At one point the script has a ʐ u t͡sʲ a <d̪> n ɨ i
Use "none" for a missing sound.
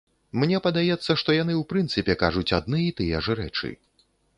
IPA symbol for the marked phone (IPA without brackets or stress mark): d̪